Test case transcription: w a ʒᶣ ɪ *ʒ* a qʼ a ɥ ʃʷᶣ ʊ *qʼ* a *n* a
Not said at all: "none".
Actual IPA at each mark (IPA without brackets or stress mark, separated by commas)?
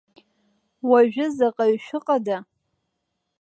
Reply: z, qʼ, d